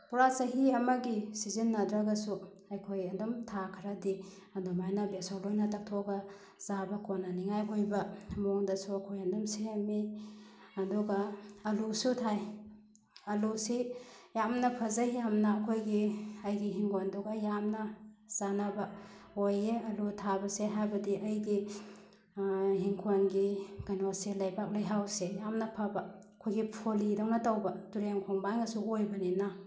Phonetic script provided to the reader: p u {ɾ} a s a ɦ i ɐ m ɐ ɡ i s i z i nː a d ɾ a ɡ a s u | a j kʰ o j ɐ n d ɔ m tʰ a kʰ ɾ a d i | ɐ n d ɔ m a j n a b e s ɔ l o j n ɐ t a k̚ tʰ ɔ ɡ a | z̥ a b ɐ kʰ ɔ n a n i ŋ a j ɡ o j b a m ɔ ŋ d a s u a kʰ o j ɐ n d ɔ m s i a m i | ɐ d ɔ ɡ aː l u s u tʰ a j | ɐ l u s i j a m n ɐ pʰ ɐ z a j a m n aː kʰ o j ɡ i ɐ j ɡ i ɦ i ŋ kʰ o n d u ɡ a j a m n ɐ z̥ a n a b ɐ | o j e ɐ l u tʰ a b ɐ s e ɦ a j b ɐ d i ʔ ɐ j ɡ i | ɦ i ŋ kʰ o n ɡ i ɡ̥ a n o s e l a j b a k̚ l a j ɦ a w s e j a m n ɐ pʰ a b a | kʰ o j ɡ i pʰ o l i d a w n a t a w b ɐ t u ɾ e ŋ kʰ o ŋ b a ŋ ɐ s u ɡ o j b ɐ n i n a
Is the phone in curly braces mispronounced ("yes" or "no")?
no